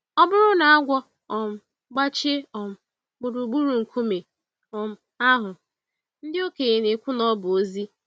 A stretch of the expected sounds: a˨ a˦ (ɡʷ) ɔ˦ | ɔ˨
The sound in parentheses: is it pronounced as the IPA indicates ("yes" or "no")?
yes